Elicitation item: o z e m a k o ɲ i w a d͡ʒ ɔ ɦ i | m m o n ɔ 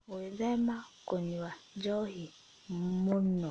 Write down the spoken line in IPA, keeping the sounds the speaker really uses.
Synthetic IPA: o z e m a k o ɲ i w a d͡ʒ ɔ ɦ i | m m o n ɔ